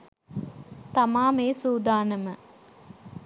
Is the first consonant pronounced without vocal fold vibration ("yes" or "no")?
yes